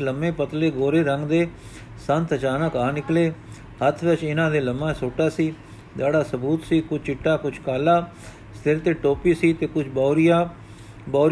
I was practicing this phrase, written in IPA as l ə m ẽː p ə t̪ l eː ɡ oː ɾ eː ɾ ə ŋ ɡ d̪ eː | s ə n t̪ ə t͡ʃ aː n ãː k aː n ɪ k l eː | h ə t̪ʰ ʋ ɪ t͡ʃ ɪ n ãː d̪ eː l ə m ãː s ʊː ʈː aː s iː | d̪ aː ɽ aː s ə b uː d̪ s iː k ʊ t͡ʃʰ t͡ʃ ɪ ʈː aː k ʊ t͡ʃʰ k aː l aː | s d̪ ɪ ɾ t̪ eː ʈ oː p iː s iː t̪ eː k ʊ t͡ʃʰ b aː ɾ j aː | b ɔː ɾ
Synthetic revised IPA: l ə m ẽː p ə t̪ l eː ɡ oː ɾ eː ɾ ə ŋ ɡ d̪ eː | s ə n t̪ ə t͡ʃ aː n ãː k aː n ɪ k l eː | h ə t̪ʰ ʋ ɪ t͡ʃ ɪ n ãː d̪ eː l ə m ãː s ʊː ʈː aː s iː | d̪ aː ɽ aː s ə b uː t̪ s iː k ʊ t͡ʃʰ t͡ʃ ɪ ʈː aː k ʊ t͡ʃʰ k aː l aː | s t̪ ɪ ɾ t̪ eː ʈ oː p iː s iː t̪ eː k ʊ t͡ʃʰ b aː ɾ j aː | b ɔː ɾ